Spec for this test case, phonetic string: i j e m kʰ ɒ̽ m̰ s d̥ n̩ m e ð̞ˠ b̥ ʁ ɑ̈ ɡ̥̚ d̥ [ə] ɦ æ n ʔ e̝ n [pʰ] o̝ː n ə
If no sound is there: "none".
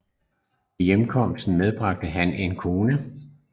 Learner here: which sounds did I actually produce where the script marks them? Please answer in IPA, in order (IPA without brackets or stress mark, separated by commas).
ə, kʰ